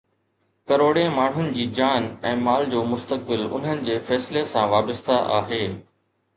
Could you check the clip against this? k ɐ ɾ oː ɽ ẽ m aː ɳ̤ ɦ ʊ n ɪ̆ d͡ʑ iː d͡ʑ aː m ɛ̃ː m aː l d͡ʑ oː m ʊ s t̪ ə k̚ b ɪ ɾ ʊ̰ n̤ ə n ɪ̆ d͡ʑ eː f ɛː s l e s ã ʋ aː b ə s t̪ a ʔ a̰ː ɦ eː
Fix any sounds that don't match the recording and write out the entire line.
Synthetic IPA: k ɐ ɾ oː ɽ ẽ m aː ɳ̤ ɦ ʊ n ɪ̆ d͡ʑ iː d͡ʑ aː n ɛ̃ː m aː l d͡ʑ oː m ʊ s t̪ ə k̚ b ɪ l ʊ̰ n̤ ə n ɪ̆ d͡ʑ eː f ɛː s l e s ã ʋ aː b ə s t̪ a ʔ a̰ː ɦ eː